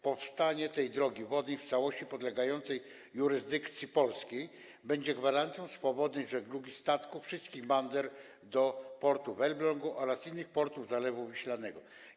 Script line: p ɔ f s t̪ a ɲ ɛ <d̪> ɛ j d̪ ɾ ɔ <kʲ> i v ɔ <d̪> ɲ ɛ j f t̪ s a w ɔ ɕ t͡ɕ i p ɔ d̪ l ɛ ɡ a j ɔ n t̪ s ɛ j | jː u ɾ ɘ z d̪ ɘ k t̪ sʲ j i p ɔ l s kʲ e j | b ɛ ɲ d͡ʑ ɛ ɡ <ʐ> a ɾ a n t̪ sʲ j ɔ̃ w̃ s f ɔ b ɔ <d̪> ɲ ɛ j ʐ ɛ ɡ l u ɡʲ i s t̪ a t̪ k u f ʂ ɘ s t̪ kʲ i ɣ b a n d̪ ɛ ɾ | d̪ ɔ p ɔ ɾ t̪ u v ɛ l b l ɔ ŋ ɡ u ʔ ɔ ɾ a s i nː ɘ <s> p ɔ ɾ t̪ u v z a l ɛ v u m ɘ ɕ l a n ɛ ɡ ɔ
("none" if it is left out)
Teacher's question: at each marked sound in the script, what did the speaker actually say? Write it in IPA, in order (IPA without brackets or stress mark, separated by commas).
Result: t̪, ɡʲ, d̪, v, d̪, x